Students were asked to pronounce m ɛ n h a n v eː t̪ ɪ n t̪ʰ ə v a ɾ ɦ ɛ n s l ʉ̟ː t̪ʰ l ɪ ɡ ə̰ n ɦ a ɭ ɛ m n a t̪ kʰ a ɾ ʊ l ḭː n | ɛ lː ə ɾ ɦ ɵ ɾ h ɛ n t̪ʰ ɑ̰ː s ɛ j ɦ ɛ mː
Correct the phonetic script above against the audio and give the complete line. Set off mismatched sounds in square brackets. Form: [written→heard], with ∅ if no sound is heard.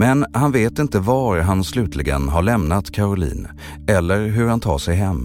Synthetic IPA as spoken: m ɛ n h a n v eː t̪ ɪ n [t̪ʰ→t̪] ə v a ɾ ɦ [ɛ→a] n s l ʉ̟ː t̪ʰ l ɪ ɡ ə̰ n ɦ a ɭ ɛ m n a t̪ kʰ a ɾ ʊ l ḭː n | ɛ lː ə ɾ ɦ ɵ ɾ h [ɛ→a] n t̪ʰ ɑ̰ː [s→ʂ] ɛ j ɦ ɛ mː